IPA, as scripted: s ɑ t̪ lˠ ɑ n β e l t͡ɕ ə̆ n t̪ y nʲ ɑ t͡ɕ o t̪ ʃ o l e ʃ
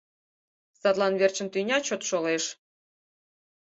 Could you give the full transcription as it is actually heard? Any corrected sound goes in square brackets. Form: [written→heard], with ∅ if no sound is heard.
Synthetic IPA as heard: s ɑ t̪ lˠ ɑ n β e [l→r] t͡ɕ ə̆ n t̪ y nʲ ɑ t͡ɕ o t̪ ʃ o l e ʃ